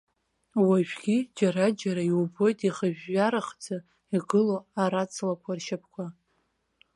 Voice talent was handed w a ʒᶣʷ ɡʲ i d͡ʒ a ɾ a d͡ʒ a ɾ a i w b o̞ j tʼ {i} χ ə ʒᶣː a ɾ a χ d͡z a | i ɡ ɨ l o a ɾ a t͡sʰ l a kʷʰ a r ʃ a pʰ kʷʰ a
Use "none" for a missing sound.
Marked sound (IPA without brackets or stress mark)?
i